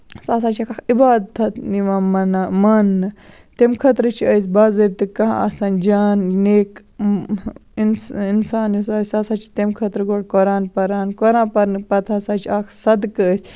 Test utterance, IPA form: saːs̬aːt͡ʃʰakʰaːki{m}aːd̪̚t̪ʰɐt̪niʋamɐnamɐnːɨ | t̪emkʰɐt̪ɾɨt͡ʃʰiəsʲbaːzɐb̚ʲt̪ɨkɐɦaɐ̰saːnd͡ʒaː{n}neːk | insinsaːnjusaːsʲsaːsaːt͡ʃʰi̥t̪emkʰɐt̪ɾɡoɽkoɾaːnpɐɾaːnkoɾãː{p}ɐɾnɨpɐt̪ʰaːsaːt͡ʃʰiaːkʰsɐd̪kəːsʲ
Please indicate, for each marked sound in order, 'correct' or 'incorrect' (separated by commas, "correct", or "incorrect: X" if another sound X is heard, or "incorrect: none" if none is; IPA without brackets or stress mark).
incorrect: b, correct, correct